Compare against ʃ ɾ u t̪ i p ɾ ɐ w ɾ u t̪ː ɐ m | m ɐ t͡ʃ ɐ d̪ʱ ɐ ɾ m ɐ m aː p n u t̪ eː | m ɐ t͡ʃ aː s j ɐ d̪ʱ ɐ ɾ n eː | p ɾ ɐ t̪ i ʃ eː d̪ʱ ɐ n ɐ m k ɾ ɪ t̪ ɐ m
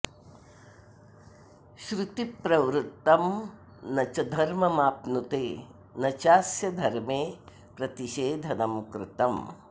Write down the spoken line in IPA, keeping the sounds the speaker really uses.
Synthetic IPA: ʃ ɾ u t̪ i p ɾ ɐ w ɾ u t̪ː ɐ m | n ɐ t͡ʃ ɐ d̪ʱ ɐ ɾ m ɐ m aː p n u t̪ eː | n ɐ t͡ʃ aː s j ɐ d̪ʱ ɐ ɾ m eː | p ɾ ɐ t̪ i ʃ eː d̪ʱ ɐ n ɐ m k ɾ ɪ t̪ ɐ m